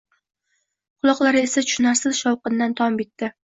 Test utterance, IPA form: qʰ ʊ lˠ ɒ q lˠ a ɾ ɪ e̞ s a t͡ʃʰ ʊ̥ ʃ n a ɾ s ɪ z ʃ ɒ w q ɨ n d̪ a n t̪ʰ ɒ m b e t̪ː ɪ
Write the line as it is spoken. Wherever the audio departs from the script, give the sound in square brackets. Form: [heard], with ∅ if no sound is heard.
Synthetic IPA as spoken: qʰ ʊ lˠ ɒ q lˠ a ɾ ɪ e̞ s a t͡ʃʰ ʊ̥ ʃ n a ɾ s ɪ z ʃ ɒ w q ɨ n d̪ a n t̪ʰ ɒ m b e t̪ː ɪ